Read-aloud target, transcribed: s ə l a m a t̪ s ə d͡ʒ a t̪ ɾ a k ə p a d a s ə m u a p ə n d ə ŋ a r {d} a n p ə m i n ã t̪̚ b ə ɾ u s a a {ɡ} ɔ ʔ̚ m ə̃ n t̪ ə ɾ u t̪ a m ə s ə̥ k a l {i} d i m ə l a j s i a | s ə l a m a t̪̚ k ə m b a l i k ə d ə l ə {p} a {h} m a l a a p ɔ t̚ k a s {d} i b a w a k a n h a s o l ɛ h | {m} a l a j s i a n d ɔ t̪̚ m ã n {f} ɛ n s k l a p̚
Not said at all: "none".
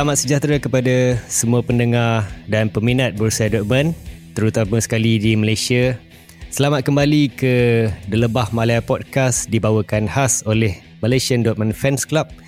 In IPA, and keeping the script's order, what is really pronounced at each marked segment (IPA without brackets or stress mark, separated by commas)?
d, d, i, b, h, d, m, f